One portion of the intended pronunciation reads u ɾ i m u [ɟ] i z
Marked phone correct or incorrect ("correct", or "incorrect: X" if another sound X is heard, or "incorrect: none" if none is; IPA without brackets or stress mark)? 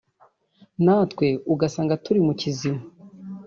incorrect: c